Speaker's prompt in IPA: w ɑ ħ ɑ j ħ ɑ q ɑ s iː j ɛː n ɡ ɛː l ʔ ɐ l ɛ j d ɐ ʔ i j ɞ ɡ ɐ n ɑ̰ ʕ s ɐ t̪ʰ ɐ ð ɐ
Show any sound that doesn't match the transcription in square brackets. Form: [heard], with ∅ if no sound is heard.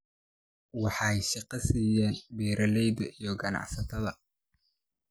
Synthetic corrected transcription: w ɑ ħ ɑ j [ʃ] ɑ q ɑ s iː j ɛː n [b] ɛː [ɾ] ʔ ɐ l ɛ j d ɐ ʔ i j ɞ ɡ ɐ n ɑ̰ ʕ s ɐ t̪ʰ ɐ ð ɐ